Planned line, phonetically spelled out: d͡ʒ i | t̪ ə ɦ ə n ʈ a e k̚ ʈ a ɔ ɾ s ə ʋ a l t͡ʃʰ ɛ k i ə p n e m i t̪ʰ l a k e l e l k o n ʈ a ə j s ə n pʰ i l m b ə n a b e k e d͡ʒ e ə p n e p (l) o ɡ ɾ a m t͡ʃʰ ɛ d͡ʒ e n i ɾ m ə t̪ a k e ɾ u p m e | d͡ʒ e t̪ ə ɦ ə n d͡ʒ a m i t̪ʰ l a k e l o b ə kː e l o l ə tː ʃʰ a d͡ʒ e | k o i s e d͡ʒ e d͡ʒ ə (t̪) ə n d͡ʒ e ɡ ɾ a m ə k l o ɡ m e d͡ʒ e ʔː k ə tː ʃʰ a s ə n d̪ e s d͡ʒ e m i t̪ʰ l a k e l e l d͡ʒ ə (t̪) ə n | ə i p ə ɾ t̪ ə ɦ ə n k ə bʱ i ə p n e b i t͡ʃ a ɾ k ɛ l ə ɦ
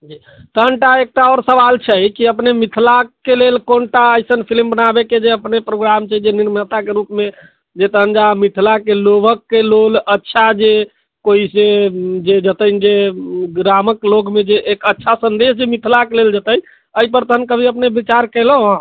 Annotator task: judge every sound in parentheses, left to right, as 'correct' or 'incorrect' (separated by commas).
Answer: incorrect, correct, correct